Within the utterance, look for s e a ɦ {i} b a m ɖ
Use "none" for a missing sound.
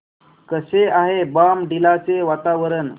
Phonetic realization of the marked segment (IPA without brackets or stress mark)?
e